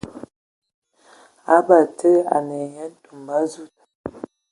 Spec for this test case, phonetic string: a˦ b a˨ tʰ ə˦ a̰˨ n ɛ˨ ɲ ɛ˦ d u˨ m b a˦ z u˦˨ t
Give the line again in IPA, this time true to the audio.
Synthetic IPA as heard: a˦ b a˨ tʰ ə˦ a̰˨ n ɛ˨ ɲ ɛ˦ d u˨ m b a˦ z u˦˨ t